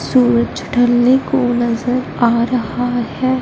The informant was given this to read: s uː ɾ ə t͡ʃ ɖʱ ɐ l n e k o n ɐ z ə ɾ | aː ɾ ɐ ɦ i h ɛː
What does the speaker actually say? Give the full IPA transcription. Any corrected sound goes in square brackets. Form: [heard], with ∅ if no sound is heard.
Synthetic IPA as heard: s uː ɾ ə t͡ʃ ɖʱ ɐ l n e k o n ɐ z ə ɾ | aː ɾ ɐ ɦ [a] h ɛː